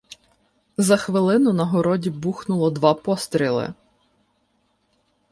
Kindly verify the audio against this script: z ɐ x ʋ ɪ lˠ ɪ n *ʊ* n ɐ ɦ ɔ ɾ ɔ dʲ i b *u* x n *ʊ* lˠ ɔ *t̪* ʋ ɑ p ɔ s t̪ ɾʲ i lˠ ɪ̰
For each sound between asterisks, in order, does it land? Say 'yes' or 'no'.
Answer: yes, yes, yes, no

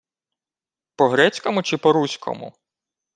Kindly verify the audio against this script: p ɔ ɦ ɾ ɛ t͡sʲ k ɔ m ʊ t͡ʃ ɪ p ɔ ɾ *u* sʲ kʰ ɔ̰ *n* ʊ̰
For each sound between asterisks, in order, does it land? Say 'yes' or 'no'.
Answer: yes, no

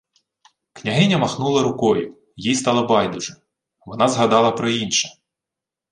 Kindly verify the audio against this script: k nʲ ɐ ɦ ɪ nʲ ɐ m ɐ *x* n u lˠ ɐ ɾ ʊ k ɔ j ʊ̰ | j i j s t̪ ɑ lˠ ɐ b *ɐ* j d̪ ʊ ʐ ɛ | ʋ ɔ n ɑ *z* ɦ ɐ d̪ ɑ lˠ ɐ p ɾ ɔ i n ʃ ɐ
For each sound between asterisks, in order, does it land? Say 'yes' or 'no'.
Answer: yes, no, yes

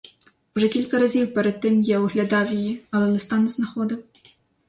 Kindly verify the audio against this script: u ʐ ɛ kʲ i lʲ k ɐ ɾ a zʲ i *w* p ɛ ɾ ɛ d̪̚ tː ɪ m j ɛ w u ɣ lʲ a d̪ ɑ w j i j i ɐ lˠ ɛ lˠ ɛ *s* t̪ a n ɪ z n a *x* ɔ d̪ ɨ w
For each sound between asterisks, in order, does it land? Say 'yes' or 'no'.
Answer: yes, yes, yes

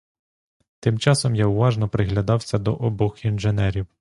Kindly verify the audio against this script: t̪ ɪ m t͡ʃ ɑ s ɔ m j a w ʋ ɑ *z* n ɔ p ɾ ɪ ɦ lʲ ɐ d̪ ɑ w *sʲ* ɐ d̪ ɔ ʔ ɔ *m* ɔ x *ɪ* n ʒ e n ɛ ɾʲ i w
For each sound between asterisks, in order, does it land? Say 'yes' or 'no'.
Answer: no, yes, no, no

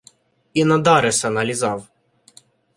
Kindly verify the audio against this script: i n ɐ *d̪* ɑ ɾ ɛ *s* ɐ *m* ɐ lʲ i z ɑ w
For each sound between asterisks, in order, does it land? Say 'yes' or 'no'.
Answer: yes, yes, no

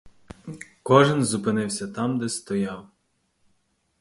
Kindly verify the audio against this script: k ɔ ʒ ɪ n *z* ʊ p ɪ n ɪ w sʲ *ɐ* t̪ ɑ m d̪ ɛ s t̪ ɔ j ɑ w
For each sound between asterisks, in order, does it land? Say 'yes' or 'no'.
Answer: yes, yes

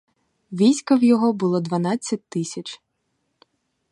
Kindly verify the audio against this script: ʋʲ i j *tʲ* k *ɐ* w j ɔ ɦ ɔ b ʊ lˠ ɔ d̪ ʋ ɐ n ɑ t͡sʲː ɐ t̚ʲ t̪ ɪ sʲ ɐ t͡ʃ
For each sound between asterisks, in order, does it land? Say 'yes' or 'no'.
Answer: no, yes

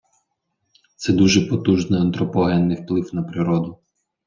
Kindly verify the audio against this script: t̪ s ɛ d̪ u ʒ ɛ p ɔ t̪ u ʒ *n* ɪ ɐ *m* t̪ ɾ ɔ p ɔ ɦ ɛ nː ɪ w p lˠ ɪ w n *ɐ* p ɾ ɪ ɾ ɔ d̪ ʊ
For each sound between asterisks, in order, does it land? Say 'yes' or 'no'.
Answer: yes, no, yes

